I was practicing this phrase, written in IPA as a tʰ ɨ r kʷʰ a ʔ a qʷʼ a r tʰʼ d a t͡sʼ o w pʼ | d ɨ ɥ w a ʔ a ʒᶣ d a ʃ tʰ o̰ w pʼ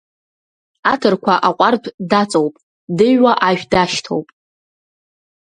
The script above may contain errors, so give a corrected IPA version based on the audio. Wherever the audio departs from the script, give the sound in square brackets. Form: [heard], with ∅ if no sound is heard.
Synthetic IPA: a tʰ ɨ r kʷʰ a ʔ a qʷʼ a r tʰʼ d a t͡sʼ o w pʼ | d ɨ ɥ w a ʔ a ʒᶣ d a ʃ tʰ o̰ w pʼ